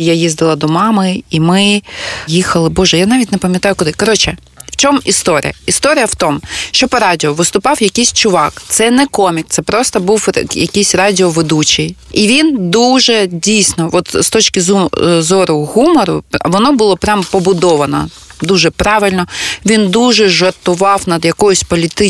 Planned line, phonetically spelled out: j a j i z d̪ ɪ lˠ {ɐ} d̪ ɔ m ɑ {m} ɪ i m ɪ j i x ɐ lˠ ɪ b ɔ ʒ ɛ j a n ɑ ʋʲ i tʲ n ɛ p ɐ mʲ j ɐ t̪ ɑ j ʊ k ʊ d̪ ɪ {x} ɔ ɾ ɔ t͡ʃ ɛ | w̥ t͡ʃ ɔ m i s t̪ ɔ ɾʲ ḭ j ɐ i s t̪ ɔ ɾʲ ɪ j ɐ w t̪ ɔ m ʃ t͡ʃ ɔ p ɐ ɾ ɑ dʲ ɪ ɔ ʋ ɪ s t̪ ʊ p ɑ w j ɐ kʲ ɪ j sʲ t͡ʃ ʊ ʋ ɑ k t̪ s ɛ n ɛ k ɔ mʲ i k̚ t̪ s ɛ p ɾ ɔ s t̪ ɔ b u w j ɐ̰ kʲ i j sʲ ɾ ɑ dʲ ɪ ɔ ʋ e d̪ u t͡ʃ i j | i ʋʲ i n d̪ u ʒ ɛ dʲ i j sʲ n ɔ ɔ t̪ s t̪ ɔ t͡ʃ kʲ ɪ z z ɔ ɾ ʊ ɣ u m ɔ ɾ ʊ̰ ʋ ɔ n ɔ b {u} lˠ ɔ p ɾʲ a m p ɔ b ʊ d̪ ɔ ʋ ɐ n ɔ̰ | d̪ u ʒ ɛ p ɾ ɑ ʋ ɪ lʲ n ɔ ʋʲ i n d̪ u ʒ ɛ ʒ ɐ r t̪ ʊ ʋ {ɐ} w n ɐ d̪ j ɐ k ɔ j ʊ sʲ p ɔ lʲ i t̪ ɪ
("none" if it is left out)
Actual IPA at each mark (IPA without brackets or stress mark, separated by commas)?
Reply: ɐ, m, k, ʊ, ɑ